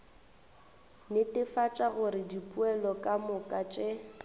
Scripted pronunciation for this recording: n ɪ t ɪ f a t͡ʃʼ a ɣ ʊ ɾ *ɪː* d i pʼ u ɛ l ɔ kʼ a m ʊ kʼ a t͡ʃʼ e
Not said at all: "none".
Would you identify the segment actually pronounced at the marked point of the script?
ɪ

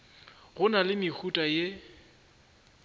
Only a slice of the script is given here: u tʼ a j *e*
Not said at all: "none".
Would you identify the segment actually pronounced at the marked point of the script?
e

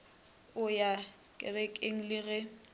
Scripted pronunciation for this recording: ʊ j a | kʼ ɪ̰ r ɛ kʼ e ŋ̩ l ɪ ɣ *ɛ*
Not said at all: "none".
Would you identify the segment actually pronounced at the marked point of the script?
ɛ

